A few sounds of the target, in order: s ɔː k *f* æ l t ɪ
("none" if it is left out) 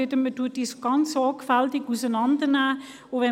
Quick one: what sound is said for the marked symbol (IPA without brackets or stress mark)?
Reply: f